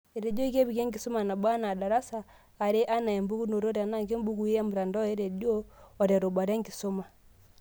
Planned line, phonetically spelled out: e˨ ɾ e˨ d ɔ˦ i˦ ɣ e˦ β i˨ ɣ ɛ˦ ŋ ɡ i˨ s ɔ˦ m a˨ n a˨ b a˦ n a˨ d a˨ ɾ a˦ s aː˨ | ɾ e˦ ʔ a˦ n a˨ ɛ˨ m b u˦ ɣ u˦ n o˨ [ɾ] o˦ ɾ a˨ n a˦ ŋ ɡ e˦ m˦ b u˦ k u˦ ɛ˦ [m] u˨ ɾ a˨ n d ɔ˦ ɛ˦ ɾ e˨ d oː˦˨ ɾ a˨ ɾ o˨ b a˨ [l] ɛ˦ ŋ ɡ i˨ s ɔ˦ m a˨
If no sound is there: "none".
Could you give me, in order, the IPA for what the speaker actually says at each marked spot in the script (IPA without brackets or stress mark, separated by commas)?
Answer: ɾ, m, ɾ